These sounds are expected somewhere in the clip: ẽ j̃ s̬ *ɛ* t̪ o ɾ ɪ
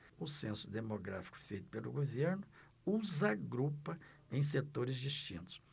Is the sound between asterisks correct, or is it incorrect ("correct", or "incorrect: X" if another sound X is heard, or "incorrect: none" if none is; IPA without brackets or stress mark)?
incorrect: e